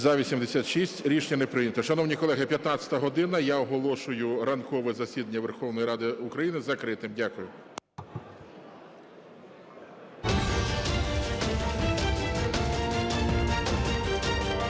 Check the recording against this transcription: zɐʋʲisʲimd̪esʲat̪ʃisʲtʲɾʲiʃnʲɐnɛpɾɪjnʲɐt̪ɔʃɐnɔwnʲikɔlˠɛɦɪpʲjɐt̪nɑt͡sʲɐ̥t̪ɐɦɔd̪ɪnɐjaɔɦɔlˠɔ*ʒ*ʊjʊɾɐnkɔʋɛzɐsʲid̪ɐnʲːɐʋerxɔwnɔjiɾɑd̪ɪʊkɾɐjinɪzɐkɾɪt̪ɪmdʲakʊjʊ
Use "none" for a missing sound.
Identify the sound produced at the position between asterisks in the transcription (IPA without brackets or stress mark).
ʃ